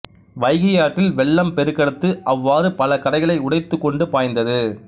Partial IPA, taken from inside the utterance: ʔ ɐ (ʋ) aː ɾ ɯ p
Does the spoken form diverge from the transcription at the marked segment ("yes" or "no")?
yes